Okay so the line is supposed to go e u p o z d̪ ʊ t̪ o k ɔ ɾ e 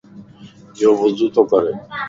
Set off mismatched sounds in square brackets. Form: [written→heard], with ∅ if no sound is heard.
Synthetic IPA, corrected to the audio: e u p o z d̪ [ʊ→u] t̪ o k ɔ ɾ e